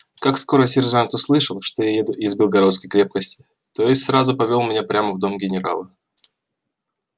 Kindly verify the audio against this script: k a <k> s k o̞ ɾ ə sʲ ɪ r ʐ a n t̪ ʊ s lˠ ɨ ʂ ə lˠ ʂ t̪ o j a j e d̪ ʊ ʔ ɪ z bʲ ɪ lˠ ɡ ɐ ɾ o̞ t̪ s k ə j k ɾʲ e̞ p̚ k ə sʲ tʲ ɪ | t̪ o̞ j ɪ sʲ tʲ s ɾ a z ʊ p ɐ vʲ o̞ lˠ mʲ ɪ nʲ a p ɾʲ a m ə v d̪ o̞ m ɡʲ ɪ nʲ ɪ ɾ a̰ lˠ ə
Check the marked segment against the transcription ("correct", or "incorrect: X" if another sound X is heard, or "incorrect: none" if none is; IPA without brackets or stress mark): correct